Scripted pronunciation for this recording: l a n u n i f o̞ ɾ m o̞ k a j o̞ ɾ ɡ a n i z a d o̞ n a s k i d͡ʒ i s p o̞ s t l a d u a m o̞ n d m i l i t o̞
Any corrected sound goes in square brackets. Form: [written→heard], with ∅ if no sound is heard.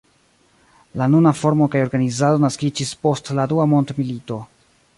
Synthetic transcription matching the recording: l a n u n [i→a] f o̞ ɾ m o̞ k a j o̞ ɾ ɡ a n i z a d o̞ n a s k i d͡ʒ i s p o̞ s t l a d u a m o̞ n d m i l i t o̞